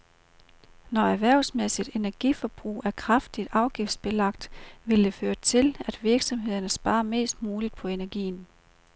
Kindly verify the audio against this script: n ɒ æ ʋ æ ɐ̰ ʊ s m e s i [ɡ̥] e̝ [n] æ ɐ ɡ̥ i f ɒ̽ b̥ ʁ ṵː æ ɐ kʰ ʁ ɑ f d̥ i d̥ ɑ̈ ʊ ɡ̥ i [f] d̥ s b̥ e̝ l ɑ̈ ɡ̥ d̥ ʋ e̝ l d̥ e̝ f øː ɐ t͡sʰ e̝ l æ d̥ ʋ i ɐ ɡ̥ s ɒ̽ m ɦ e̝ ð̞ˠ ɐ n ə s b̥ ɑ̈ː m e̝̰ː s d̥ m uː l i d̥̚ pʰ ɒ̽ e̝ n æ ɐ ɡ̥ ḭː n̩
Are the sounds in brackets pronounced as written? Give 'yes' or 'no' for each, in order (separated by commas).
no, yes, yes